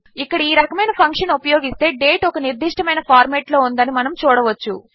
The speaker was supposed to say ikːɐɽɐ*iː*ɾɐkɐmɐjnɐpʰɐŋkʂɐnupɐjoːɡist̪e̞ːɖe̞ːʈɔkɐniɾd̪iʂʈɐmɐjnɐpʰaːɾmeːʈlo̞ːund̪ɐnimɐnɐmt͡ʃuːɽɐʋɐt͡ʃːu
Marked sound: correct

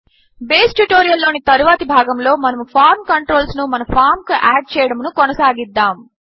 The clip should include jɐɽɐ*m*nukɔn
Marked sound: correct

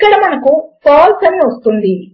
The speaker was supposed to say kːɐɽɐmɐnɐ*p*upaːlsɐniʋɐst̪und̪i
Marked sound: incorrect: k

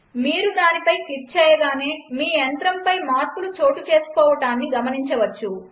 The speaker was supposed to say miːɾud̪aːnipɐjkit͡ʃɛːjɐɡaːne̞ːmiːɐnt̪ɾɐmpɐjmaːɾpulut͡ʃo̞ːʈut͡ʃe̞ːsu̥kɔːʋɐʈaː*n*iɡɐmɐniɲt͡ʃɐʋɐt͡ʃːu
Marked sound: incorrect: nː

